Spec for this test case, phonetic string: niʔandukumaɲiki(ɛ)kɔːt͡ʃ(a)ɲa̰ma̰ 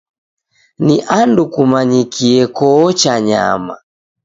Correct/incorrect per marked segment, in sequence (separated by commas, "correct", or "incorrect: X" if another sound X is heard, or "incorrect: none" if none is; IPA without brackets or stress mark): correct, correct